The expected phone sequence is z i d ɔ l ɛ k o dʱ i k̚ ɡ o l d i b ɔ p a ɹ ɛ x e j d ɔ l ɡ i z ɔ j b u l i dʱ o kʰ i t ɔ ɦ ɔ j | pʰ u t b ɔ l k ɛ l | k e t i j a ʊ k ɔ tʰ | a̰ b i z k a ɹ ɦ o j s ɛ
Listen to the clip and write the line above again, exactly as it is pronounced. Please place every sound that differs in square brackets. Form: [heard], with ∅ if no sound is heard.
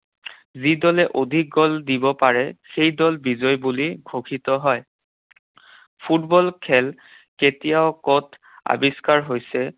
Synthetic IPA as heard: z i d ɔ l ɛ [ʔ] o dʱ i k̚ ɡ [ɔ] l d i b ɔ p a ɹ ɛ x e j d ɔ l [b] i z ɔ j b u l i [ɡʱ] o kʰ i t ɔ ɦ ɔ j | pʰ u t b ɔ l [kʰ] ɛ l | k e t i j a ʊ k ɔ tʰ | a̰ b i [s] k a ɹ ɦ o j s ɛ